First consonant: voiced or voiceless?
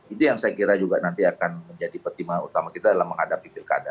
voiceless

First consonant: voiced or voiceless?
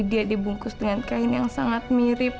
voiced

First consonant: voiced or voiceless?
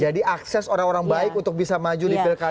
voiced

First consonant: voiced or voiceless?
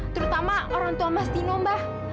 voiceless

